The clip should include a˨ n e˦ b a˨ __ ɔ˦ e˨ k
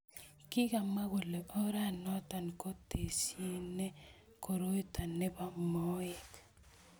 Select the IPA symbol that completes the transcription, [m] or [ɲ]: m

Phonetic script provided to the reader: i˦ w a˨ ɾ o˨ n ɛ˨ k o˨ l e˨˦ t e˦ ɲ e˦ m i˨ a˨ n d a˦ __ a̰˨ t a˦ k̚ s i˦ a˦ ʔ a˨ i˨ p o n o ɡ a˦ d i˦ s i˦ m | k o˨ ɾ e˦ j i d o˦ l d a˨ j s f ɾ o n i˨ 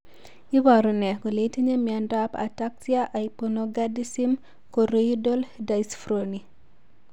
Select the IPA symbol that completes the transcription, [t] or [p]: p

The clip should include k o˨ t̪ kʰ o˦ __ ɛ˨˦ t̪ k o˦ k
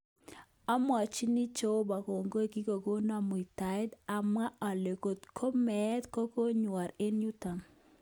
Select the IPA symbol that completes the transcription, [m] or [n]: m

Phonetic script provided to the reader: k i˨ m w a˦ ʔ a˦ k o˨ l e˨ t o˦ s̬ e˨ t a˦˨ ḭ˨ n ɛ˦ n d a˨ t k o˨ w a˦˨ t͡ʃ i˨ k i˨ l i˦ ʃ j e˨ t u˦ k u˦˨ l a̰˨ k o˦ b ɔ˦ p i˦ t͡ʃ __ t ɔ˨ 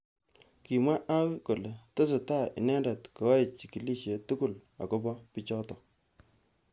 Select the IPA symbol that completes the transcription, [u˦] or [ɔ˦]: ɔ˦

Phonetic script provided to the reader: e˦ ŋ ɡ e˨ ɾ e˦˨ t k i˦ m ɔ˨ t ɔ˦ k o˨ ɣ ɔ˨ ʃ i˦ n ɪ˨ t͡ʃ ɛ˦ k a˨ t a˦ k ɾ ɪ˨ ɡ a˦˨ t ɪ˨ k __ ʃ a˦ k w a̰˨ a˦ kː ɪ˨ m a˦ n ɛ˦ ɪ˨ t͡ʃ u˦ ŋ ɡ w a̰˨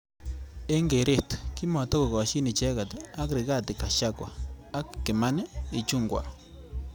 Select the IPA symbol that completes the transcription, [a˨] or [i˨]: a˨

